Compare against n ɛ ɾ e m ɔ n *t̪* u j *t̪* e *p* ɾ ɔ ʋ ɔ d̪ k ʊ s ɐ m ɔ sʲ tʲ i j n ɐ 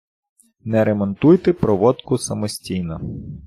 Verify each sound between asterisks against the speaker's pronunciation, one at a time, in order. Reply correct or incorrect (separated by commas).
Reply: correct, correct, correct